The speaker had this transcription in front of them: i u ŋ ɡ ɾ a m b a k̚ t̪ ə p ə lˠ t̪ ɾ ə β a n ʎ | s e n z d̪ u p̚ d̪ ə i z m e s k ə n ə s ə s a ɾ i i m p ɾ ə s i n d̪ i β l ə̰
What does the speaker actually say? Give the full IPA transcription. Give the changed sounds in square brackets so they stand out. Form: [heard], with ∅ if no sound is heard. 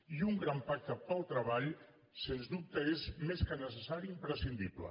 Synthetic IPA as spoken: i u ŋ ɡ ɾ a m [p] a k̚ t̪ ə p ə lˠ t̪ ɾ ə β a [∅] ʎ | s e n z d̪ u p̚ [t̪] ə [e] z m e s k ə n ə s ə s a ɾ i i m p ɾ ə s i n d̪ i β l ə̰